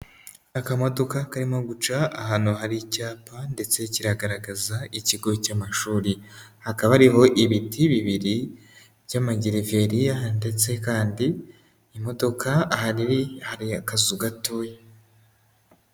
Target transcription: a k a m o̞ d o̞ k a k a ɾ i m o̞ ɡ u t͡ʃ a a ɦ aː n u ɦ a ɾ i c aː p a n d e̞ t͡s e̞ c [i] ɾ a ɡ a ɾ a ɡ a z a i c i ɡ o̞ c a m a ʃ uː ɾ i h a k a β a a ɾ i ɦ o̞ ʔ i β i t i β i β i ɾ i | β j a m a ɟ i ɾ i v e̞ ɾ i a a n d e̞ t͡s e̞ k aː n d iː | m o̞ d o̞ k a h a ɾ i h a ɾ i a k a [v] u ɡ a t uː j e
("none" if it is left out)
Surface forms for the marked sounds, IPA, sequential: i, z

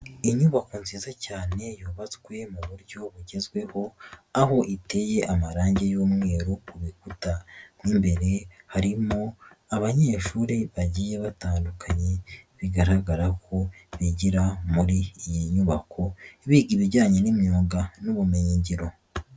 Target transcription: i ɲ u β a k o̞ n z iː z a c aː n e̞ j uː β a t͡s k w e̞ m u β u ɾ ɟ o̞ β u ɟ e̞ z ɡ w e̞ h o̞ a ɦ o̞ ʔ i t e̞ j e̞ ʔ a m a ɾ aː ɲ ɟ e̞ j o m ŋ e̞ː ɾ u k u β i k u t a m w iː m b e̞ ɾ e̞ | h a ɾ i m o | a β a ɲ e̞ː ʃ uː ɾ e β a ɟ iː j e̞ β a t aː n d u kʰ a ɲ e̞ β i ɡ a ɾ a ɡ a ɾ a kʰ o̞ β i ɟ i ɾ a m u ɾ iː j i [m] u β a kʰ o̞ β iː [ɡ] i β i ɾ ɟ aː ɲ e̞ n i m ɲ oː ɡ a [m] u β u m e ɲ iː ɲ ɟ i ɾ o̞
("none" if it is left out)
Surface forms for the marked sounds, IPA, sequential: ɲ, ɡ, n

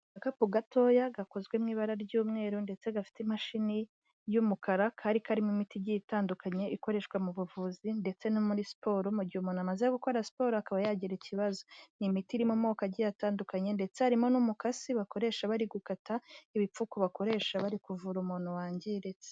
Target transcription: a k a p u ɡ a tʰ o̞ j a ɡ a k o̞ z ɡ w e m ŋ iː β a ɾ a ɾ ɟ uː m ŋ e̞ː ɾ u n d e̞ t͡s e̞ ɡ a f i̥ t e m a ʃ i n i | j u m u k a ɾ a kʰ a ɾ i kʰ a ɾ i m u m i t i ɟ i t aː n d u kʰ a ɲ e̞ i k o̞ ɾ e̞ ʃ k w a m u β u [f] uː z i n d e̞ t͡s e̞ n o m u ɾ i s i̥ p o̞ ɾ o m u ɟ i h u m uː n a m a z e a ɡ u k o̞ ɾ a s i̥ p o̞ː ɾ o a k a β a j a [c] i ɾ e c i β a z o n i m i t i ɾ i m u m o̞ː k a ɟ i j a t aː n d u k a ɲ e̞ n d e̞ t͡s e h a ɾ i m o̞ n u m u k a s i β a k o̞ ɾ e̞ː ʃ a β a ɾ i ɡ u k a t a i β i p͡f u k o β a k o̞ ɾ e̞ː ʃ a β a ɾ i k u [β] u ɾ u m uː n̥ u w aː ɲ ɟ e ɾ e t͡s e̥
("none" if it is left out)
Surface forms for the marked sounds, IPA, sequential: v, ɟ, v

